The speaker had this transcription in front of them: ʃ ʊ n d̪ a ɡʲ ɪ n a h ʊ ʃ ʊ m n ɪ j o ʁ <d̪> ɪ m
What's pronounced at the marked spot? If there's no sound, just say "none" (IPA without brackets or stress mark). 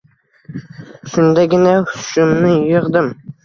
d̪